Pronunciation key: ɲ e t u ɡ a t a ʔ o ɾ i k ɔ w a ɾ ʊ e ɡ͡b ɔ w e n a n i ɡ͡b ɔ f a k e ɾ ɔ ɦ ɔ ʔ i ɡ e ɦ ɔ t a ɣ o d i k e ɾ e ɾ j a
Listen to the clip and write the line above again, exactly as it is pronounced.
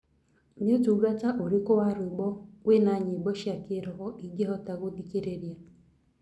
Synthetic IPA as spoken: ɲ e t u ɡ a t a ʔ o ɾ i k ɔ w a ɾ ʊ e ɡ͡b ɔ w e n a ɲ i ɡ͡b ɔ ʃ a k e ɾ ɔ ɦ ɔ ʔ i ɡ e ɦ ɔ t a ɣ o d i k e ɾ e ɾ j a